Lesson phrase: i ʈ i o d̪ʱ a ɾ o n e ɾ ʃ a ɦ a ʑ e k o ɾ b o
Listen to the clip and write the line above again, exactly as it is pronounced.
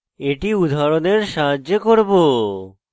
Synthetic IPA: e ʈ i u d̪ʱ a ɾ o n e ɾ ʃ a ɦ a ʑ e k o ɾ b o